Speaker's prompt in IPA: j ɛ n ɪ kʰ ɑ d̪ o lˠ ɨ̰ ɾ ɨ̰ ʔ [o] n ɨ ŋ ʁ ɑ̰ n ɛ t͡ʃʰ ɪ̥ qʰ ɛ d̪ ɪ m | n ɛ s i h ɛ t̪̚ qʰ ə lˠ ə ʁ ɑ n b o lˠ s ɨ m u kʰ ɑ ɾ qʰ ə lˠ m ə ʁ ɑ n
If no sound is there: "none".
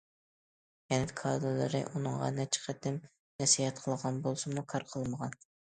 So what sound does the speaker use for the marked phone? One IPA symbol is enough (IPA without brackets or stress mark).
u